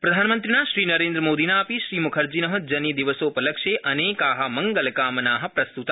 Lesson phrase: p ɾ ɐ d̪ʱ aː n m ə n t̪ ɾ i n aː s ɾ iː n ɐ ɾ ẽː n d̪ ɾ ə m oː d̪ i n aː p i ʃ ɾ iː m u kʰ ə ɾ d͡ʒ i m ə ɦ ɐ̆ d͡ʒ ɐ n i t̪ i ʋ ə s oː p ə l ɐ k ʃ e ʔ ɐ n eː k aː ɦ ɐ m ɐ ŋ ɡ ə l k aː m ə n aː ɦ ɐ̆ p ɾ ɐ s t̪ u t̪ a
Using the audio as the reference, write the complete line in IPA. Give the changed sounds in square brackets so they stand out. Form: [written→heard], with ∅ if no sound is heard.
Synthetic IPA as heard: p ɾ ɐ d̪ʱ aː n m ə n t̪ ɾ i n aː [s→ʃ] ɾ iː n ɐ ɾ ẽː n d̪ ɾ ə m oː d̪ i n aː p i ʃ ɾ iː m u kʰ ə ɾ d͡ʒ i [m→n] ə ɦ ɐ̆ d͡ʒ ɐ n i [t̪→d̪] i ʋ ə s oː p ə l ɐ k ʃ e ʔ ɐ n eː k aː ɦ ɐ m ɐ ŋ ɡ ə l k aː m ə n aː ɦ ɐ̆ p ɾ ɐ s t̪ u t̪ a